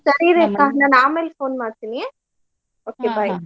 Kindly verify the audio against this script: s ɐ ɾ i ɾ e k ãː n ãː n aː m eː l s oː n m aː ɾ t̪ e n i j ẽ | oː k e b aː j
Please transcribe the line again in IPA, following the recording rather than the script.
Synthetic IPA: s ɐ ɾ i ɾ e k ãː n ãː n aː m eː l f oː n m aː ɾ t̪ i n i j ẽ | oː k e b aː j